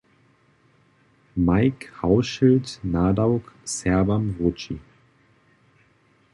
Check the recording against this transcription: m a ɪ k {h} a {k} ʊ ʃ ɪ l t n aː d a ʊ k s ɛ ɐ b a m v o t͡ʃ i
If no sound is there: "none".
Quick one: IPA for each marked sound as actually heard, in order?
h, none

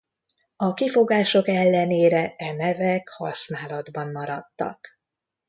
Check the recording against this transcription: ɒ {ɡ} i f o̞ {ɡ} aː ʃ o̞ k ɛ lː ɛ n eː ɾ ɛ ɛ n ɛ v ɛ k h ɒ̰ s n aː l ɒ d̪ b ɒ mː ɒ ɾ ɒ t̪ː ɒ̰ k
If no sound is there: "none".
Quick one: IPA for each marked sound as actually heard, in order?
k, ɡ

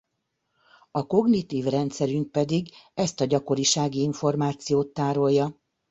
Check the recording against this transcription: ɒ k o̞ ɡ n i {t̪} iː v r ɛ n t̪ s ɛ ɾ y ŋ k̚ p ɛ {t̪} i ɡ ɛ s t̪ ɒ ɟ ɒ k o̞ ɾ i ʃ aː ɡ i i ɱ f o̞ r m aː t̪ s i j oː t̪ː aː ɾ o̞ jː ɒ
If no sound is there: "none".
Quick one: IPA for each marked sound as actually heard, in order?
t̪, d̪

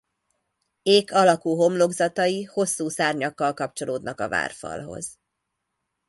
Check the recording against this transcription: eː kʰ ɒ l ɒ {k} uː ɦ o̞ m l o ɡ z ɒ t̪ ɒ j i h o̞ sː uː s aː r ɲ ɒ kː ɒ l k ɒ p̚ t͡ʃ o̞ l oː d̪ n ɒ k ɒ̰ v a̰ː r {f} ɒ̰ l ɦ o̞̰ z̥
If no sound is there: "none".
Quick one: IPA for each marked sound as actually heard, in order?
k, f

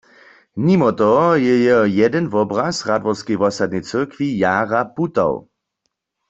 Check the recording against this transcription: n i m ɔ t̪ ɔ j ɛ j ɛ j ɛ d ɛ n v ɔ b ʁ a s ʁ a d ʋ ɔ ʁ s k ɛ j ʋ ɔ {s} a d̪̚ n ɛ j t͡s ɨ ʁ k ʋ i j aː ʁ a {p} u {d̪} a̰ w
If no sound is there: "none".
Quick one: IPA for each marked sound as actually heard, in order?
s, p, t̪

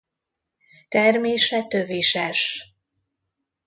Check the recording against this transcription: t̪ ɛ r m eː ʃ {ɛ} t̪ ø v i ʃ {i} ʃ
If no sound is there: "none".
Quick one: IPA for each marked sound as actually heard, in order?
ɛ, ɛ

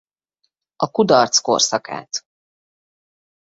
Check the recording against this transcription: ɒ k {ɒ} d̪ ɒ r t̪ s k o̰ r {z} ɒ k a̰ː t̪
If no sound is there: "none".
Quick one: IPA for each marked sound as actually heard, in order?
u, s

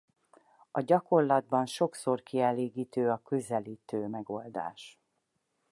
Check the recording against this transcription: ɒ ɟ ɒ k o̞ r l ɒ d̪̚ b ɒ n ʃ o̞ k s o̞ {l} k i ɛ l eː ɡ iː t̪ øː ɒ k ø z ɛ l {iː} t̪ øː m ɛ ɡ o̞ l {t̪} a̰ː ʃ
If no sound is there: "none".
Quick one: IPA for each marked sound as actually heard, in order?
r, iː, d̪

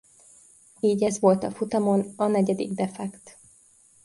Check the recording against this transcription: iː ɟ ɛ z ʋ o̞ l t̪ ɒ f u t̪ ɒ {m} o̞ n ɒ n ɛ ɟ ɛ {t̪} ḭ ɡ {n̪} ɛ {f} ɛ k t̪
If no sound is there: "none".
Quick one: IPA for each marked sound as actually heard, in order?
m, d̪, d̪, f

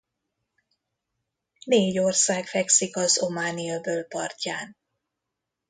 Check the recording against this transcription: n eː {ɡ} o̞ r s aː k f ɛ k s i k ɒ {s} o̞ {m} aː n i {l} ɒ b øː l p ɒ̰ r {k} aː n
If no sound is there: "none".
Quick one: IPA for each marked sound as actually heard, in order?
ɟ, z, m, none, c

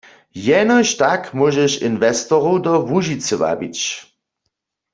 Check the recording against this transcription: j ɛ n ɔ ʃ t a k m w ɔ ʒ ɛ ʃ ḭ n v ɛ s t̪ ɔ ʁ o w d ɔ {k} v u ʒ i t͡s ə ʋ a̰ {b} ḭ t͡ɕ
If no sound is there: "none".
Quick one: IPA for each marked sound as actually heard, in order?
none, b

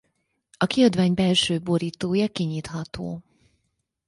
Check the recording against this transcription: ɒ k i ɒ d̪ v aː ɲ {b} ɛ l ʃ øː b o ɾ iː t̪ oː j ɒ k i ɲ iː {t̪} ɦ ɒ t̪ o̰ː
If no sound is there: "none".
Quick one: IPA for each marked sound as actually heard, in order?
b, t̪

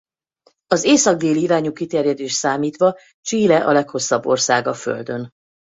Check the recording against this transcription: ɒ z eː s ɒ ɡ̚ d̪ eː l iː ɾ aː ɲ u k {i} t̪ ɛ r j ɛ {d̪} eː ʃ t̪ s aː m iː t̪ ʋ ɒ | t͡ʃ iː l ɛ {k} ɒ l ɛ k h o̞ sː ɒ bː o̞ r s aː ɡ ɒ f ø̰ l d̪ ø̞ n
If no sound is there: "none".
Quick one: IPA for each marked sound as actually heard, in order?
i, d̪, ʔ

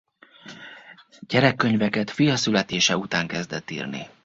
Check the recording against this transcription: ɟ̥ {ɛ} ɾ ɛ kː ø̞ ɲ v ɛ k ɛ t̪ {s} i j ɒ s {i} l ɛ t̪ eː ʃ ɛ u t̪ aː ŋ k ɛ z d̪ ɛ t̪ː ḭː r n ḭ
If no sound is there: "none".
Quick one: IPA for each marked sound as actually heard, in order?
ɛ, f, y

